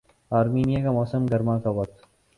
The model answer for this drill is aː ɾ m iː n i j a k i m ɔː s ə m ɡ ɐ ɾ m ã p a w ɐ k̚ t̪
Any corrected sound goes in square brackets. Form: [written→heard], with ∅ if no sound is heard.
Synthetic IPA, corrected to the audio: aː ɾ m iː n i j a k [i→a] m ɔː s ə m ɡ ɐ ɾ m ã [p→k] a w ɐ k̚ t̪